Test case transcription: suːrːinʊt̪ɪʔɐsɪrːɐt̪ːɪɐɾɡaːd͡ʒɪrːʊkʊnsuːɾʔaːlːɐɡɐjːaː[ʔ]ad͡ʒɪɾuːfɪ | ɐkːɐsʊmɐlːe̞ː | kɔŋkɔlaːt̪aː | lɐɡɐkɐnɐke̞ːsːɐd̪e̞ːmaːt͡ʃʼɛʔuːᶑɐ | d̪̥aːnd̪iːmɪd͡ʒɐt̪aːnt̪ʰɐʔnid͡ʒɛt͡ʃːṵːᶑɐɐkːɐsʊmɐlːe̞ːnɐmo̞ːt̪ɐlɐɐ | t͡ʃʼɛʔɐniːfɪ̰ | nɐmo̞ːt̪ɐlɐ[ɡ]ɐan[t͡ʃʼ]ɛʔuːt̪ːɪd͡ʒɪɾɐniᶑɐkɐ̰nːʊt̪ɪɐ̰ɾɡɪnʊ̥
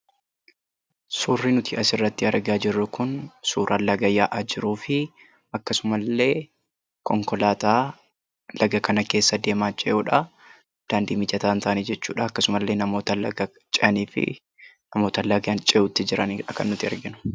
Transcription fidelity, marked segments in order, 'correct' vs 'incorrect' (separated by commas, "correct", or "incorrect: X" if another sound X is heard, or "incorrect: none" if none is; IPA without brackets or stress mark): correct, correct, correct